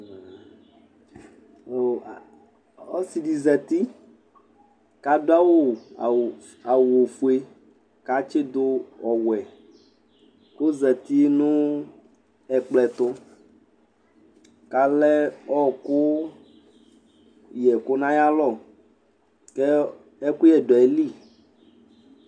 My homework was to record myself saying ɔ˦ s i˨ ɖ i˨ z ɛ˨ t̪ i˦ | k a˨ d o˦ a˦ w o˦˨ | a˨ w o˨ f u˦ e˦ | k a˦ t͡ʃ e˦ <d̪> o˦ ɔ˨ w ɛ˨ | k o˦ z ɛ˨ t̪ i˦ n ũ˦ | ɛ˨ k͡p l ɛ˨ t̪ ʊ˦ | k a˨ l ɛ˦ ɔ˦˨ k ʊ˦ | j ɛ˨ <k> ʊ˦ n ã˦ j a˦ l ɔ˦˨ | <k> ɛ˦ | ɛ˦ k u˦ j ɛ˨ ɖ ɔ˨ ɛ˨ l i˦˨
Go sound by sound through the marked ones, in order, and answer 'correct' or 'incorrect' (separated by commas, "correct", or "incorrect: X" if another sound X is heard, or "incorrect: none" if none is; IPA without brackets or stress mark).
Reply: correct, correct, correct